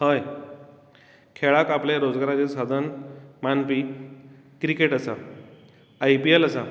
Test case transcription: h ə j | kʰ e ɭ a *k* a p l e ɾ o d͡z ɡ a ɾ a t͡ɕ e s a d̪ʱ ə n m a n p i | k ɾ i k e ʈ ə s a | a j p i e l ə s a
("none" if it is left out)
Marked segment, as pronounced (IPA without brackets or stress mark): k